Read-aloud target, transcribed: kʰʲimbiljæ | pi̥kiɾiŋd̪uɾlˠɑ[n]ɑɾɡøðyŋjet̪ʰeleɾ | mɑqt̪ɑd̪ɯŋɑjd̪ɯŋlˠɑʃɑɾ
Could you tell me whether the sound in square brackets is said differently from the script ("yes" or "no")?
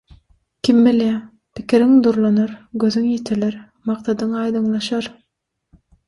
no